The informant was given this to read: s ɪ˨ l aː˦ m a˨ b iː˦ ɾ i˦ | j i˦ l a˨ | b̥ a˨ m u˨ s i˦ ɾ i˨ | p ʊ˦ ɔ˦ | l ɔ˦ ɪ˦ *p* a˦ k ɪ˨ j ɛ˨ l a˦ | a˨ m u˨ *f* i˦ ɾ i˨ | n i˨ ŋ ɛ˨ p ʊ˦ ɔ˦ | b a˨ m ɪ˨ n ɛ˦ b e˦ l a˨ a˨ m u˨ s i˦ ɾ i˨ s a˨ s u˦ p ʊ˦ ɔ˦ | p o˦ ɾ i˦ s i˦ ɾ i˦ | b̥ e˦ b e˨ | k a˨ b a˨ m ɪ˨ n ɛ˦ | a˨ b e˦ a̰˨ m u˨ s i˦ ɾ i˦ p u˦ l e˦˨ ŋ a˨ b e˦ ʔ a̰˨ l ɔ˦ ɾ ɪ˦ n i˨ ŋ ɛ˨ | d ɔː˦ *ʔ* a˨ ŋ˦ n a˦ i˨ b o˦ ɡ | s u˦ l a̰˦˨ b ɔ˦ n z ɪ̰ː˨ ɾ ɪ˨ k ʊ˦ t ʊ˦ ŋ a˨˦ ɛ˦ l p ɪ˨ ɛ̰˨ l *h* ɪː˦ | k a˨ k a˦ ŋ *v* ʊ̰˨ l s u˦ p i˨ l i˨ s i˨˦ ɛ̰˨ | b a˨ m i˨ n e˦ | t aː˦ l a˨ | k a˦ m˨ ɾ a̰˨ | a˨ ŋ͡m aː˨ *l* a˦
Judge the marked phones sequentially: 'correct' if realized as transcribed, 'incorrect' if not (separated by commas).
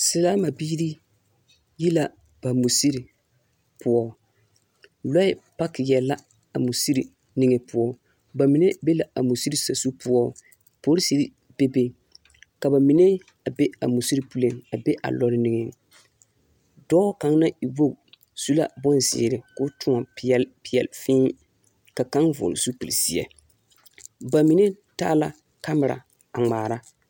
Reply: correct, incorrect, incorrect, incorrect, correct, incorrect